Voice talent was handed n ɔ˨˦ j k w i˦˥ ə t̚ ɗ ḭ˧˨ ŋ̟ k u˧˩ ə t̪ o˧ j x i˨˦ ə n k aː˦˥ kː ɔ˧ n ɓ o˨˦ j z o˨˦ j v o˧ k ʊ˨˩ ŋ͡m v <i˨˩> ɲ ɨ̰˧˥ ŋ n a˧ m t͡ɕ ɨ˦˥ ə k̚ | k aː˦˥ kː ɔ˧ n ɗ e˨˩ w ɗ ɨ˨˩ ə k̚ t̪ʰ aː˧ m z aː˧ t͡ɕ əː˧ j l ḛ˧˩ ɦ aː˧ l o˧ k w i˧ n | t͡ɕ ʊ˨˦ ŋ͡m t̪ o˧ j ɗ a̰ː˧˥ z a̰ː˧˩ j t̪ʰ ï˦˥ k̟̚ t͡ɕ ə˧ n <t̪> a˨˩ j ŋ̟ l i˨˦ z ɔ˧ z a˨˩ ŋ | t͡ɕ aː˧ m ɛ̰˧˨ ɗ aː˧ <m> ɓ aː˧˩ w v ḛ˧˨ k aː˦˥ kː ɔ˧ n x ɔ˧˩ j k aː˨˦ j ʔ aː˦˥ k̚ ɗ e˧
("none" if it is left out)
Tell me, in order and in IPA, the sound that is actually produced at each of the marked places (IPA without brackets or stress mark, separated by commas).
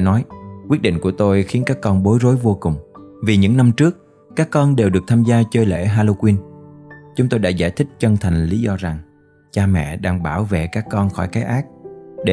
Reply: i˨˩, t̪ʰ, ŋ